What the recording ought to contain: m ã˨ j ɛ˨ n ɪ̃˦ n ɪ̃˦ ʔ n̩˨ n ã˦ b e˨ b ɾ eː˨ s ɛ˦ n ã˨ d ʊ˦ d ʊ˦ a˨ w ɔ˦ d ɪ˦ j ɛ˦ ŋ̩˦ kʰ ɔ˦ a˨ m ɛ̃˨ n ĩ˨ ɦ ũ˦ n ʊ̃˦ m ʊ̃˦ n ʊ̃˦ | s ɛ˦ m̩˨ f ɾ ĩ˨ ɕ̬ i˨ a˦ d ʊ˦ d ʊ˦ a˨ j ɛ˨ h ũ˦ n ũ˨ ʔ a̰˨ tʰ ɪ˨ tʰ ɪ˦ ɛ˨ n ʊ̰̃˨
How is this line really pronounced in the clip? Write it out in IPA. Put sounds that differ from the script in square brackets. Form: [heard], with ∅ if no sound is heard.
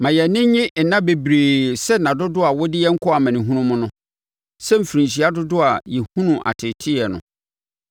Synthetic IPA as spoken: m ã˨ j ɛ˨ n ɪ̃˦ [ɲ] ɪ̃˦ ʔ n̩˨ n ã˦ b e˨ b ɾ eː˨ s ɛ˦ n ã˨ d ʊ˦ d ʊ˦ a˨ w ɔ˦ d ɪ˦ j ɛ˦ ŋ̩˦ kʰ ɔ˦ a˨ m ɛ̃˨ n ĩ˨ ɦ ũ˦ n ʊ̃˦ m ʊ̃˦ n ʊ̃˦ | s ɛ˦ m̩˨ f ɾ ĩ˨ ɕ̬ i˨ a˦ d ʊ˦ d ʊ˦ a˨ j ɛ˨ h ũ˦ n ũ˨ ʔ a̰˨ tʰ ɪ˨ tʰ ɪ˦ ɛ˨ n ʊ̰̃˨